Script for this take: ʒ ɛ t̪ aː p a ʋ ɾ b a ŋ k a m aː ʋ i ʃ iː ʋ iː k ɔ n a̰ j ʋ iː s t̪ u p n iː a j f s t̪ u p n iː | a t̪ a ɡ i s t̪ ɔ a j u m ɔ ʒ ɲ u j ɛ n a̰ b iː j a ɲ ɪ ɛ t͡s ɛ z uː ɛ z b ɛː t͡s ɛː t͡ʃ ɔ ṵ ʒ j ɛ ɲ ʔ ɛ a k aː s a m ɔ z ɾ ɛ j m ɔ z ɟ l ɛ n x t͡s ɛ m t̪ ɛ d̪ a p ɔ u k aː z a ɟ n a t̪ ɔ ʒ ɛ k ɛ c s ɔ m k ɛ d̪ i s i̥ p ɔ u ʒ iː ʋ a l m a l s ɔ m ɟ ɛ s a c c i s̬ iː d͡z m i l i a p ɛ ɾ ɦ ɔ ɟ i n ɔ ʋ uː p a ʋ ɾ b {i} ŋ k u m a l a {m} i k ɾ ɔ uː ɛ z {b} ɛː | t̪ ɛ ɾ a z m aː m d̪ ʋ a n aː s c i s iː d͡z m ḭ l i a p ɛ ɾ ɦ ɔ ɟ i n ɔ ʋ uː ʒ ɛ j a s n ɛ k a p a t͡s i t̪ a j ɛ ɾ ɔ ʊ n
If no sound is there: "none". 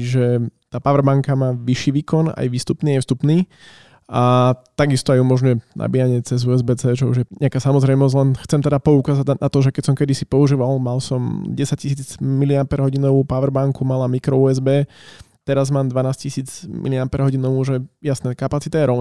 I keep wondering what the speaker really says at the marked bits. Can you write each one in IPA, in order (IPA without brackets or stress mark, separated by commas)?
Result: a, m, b